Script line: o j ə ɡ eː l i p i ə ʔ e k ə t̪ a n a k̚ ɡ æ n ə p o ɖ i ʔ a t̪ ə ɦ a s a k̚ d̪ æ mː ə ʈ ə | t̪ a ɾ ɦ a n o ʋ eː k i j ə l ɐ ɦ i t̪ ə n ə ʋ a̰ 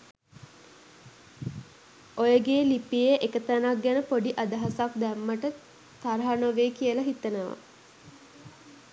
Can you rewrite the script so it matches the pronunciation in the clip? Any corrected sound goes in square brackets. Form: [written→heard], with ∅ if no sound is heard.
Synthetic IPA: o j ə ɡ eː l i p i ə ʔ e k ə t̪ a n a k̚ ɡ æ n ə p o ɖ i ʔ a [t̪→d̪] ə ɦ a s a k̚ d̪ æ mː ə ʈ ə | t̪ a ɾ ɦ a n o ʋ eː k i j ə l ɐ ɦ i t̪ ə n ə ʋ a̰